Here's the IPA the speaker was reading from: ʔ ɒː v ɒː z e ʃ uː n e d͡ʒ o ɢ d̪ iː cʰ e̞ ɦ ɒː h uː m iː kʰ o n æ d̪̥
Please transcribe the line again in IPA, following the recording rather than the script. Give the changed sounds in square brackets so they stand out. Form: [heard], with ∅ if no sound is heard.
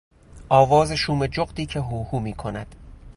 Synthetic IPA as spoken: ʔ ɒː v ɒː z e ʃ uː [m] e d͡ʒ o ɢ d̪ iː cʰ e̞ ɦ [uː] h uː m iː kʰ o n æ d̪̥